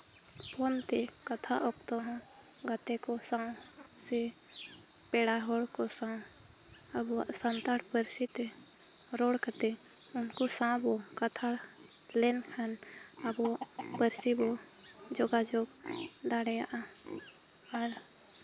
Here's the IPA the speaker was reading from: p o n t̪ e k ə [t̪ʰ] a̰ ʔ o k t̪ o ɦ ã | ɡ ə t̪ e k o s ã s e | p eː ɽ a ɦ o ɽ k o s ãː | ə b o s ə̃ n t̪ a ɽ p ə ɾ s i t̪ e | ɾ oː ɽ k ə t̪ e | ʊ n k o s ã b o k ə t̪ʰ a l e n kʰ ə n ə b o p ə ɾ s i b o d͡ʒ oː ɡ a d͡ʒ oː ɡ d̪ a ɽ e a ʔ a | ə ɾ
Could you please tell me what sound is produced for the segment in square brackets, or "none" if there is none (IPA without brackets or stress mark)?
t̪ʰ